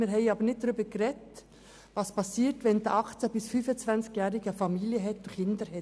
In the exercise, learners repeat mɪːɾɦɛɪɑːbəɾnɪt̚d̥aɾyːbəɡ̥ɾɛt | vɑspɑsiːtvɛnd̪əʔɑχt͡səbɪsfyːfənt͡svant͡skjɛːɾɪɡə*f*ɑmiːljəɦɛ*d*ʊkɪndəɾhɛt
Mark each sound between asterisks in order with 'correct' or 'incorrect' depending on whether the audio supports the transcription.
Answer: correct, incorrect

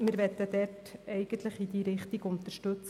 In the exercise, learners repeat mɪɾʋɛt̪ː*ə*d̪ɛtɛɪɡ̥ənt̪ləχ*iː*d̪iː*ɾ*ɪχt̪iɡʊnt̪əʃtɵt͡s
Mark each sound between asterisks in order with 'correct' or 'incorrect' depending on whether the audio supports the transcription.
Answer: correct, incorrect, correct

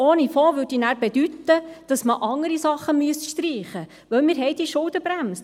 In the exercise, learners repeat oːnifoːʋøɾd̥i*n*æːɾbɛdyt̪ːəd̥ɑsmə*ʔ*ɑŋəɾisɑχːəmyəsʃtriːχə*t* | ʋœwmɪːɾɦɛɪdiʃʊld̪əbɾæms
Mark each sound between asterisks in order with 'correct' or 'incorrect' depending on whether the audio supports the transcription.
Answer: correct, correct, incorrect

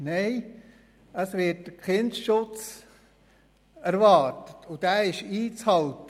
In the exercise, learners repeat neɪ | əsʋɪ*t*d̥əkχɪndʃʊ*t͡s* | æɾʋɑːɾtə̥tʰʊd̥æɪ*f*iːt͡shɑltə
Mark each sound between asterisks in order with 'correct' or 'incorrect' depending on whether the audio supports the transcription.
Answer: correct, correct, incorrect

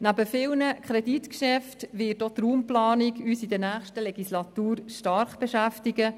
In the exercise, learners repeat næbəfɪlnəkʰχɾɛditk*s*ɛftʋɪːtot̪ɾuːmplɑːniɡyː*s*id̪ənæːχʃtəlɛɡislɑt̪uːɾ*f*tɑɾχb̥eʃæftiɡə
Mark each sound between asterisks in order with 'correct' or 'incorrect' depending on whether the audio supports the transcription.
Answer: incorrect, correct, incorrect

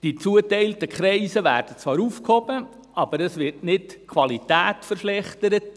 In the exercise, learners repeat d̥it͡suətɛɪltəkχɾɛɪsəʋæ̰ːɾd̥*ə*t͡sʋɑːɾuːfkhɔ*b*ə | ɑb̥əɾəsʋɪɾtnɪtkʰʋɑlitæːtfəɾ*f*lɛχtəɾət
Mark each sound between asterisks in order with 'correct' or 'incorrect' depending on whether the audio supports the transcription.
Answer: correct, correct, incorrect

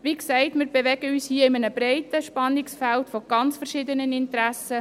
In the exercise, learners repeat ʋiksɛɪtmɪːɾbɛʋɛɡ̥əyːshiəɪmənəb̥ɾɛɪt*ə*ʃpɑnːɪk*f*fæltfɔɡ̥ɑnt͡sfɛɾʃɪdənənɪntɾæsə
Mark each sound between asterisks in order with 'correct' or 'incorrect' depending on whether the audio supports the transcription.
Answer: correct, incorrect

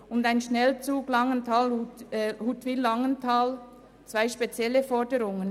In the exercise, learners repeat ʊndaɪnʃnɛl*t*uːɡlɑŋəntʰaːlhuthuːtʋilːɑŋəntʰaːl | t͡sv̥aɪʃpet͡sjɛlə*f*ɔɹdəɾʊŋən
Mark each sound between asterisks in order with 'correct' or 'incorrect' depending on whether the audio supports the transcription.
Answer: incorrect, correct

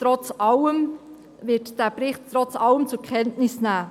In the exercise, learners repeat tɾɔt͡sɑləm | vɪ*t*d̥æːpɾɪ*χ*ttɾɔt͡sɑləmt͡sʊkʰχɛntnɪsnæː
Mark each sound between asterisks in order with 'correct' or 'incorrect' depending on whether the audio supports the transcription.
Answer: correct, correct

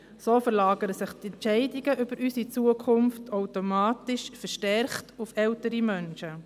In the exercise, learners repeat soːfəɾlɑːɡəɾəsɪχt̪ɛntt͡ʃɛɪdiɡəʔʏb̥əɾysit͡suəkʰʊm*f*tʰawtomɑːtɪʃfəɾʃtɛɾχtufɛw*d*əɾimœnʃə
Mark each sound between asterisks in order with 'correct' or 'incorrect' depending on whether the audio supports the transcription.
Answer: correct, incorrect

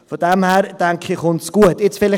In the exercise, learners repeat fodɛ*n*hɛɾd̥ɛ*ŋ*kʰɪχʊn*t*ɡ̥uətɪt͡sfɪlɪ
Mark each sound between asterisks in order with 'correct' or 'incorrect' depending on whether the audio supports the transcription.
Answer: incorrect, correct, incorrect

